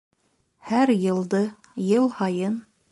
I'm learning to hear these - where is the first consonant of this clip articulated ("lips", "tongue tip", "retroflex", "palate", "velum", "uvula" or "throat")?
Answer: throat